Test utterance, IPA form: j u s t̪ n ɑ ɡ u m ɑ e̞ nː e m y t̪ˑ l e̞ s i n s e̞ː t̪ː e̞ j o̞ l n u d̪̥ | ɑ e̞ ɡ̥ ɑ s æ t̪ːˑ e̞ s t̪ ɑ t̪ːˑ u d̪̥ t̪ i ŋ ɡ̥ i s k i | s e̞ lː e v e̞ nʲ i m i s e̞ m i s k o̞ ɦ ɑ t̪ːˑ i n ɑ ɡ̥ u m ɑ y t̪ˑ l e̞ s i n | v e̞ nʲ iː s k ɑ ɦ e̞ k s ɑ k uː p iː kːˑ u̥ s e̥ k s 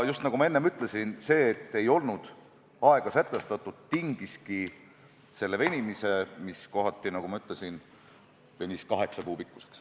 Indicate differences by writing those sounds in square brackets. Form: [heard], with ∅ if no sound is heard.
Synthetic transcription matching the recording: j u s t̪ n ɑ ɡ u m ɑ e̞ nː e m y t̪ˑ l e̞ s i n s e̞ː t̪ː e̞ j o̞ l n u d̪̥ | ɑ e̞ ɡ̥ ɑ s æ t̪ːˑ e̞ s t̪ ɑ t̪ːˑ u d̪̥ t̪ i ŋ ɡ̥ i s k i | s e̞ lː e v e̞ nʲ i m i s e̞ m i s k o̞ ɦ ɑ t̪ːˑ i n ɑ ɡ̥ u m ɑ y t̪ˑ l e̞ s i n | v e̞ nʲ [i] s k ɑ ɦ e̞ k s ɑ k uː p [i] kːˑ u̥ s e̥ k s